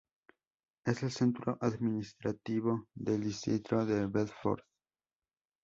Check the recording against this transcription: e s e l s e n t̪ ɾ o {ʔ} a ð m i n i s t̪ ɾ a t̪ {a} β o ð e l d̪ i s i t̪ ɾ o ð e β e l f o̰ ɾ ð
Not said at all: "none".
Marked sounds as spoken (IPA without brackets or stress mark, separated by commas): ʔ, i